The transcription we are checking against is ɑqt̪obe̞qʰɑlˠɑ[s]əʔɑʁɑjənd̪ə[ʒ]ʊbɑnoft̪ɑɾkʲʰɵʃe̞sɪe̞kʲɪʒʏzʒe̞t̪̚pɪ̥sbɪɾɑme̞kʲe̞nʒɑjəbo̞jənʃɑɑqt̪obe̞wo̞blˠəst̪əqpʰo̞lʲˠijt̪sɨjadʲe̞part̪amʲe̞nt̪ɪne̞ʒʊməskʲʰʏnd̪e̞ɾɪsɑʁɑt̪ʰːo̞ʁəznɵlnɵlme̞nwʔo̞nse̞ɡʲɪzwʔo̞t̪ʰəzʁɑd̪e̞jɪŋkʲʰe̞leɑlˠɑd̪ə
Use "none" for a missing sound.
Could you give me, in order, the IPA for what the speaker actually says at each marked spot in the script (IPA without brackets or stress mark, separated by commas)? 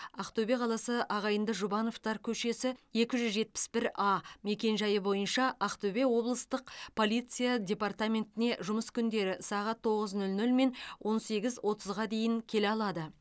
s, ʒ